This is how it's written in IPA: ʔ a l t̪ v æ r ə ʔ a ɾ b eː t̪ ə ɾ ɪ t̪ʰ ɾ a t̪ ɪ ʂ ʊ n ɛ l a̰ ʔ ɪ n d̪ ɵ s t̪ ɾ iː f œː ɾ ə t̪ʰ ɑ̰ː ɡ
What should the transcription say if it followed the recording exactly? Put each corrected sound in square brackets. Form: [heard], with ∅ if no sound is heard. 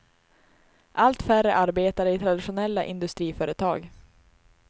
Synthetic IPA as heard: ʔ a l t̪ [f] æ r ə ʔ a ɾ b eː t̪ [a] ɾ ɪ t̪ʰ ɾ a [d̪] ɪ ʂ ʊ n ɛ [lː] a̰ ʔ ɪ n d̪ ɵ s t̪ ɾ iː f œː ɾ ə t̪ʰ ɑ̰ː ɡ